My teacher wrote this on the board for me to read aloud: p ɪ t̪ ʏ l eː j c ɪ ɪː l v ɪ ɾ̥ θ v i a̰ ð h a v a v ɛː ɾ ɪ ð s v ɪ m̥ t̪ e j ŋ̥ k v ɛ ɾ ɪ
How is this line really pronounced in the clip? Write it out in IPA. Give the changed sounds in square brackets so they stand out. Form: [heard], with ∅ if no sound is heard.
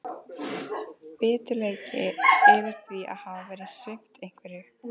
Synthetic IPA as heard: p [ɪː] t̪ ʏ l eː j c ɪ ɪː [∅] v ɪ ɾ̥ θ v i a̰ ð h a v a v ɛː ɾ ɪ ð s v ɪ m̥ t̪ e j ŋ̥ k v ɛ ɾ ɪ

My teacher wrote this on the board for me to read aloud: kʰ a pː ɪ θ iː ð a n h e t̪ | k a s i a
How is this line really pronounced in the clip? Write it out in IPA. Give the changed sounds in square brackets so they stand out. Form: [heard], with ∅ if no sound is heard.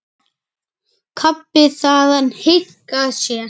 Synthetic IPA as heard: kʰ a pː ɪ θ [aː] ð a n h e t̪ | k a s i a

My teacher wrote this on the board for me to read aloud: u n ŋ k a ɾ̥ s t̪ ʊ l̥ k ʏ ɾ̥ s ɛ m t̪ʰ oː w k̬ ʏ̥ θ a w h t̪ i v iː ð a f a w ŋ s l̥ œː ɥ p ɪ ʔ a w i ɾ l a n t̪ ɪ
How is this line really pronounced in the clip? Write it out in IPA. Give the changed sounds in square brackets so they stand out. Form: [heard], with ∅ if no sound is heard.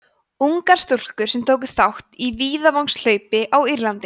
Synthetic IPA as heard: u [∅] ŋ k a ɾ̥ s t̪ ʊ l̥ k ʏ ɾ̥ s ɛ m t̪ʰ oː w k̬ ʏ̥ θ a w h t̪ i v iː ð a [v] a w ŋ s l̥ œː ɥ p ɪ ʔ a w i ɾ l a n t̪ ɪ

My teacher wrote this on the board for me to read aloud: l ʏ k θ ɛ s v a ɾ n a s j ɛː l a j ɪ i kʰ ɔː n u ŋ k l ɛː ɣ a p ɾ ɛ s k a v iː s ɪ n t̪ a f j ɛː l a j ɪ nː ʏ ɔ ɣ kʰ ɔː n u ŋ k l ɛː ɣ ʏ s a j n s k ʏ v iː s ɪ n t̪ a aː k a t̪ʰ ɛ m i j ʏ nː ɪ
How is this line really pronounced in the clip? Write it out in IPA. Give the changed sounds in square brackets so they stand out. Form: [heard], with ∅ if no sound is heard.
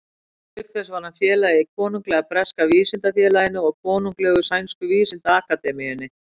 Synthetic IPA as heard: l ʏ k θ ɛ s v a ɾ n a [f] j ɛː l a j ɪ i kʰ ɔː n u ŋ k l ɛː ɣ a p ɾ ɛ s k a v iː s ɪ n t̪ a f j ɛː l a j ɪ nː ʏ ɔ ɣ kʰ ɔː n u ŋ k l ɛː ɣ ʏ s a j n s k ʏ v iː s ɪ n t̪ a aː k a [t̪] ɛ m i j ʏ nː ɪ

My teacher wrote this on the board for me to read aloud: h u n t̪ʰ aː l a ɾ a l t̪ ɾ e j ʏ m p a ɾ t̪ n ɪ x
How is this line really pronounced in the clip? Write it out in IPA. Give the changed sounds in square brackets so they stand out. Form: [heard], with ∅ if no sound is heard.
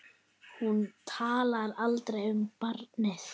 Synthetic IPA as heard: h u n t̪ʰ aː l a ɾ a l t̪ ɾ e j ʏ m p a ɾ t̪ n ɪ [θ]

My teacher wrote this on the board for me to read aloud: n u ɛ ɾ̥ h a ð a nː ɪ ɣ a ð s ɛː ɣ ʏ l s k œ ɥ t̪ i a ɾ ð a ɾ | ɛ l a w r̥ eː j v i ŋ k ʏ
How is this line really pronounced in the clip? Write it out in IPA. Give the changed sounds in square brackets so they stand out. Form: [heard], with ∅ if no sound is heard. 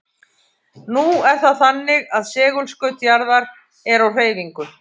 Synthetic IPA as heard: n u ɛ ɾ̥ [θ] a [θ] a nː ɪ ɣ a ð s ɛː ɣ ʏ l s k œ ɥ t̪ [j] a ɾ ð a ɾ | ɛ [ɾ] a w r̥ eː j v i ŋ k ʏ

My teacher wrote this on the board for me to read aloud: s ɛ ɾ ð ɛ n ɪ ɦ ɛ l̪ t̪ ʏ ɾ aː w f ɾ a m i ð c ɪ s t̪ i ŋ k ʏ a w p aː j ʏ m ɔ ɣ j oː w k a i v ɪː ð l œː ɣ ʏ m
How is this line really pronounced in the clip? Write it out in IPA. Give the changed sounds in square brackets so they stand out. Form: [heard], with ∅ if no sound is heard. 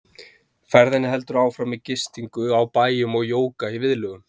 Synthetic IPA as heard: [f] ɛ ɾ ð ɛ n ɪ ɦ ɛ l̪ t̪ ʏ ɾ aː w f ɾ a m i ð c ɪ s t̪ i ŋ k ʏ a w p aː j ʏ m ɔ ɣ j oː w k a i v [ɪ] ð l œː ɣ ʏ m

